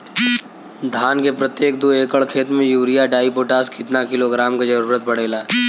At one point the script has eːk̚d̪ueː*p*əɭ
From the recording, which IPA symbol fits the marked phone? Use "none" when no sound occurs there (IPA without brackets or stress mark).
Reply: k